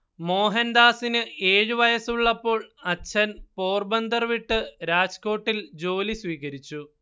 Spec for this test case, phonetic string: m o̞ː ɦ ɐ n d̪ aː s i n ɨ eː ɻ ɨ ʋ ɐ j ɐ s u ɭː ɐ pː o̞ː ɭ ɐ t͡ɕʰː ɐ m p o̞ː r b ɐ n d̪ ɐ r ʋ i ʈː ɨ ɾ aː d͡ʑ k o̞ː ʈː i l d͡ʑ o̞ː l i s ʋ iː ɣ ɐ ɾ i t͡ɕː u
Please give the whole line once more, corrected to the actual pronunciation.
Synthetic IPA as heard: m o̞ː ɦ ɐ n d̪ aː s i n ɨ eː ɻ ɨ ʋ ɐ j ɐ s u ɭː ɐ pː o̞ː ɭ ɐ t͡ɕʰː ɐ n p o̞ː r b ɐ n d̪ ɐ r ʋ i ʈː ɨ ɾ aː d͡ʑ k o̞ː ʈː i l d͡ʑ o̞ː l i s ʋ iː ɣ ɐ ɾ i t͡ɕː u